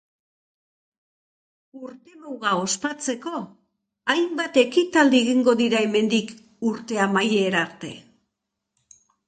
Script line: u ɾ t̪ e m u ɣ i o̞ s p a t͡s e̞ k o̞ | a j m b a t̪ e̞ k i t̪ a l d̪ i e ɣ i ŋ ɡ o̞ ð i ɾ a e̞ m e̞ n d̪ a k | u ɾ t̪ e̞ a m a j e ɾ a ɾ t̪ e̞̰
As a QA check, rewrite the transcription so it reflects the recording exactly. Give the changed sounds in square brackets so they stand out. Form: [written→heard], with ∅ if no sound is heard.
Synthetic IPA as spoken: u ɾ t̪ e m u ɣ [i→a] o̞ s p a t͡s e̞ k o̞ | a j m b a t̪ e̞ k i t̪ a l d̪ i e ɣ i ŋ ɡ o̞ ð i ɾ a e̞ m e̞ n d̪ [a→i] k | u ɾ t̪ e̞ a m a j e ɾ a ɾ t̪ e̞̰